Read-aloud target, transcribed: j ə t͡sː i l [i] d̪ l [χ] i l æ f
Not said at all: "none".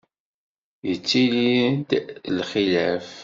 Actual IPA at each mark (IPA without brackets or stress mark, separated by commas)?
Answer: i, χ